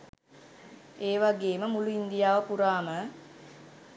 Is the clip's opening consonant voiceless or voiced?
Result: voiced